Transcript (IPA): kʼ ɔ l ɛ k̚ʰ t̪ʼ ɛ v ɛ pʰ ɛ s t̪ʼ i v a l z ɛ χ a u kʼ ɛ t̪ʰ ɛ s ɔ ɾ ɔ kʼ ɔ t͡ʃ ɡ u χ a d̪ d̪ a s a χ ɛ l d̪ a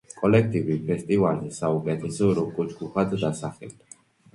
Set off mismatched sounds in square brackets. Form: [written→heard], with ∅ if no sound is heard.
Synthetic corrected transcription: kʼ ɔ l ɛ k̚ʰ t̪ʼ [ɛ→i] v [ɛ→i] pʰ ɛ s t̪ʼ i v a l z ɛ [χ→s] a u kʼ ɛ t̪ʰ ɛ s ɔ ɾ ɔ kʼ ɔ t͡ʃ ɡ u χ a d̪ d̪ a s a χ ɛ l d̪ a